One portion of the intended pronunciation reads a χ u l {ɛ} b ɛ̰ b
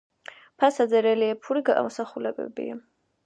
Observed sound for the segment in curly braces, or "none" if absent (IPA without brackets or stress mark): ɛ